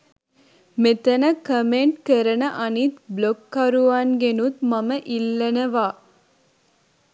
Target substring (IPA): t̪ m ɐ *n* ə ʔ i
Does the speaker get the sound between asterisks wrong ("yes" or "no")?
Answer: yes